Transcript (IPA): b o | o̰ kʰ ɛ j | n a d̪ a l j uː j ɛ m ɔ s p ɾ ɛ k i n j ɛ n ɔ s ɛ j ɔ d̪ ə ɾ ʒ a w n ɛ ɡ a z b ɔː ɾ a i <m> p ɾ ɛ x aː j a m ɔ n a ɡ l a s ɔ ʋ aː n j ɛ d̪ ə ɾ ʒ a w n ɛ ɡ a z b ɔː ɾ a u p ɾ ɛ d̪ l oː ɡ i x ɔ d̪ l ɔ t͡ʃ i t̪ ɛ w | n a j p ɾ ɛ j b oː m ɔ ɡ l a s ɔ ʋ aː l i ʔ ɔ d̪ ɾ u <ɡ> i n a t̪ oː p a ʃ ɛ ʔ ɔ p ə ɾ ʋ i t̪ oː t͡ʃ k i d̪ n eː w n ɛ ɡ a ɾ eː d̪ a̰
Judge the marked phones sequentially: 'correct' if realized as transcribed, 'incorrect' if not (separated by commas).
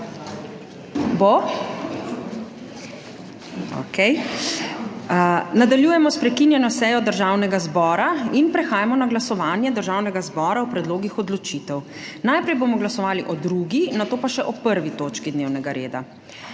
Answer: incorrect, correct